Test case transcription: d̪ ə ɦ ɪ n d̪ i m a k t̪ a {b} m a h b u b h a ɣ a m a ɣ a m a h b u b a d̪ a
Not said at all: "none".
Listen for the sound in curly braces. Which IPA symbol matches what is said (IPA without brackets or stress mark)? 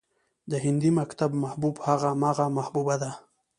b